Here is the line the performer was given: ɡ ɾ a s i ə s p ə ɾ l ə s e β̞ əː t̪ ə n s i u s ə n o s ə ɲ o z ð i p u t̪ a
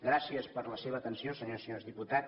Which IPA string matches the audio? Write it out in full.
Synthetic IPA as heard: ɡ ɾ a s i ə s p ə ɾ l ə s e β̞ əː t̪ ə n s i o s ə ɲ o s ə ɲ o z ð i p u t̪ a